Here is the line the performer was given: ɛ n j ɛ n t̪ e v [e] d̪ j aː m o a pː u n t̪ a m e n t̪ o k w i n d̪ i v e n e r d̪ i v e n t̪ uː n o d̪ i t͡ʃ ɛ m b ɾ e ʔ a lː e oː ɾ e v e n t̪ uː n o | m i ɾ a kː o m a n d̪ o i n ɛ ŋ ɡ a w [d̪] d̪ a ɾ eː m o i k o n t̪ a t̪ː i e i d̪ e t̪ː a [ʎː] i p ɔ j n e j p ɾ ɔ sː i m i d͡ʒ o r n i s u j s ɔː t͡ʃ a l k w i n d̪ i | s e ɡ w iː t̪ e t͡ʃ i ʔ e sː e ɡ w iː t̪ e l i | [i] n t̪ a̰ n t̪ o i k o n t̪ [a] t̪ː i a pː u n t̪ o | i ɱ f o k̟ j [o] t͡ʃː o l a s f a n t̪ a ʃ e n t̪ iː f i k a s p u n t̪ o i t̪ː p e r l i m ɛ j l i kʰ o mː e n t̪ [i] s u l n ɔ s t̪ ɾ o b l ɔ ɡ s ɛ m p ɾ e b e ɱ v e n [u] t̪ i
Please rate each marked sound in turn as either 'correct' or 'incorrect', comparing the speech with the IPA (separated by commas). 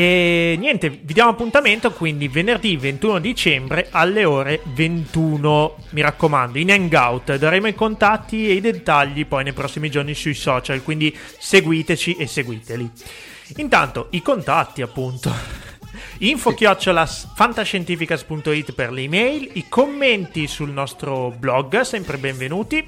incorrect, incorrect, correct, correct, correct, incorrect, correct, incorrect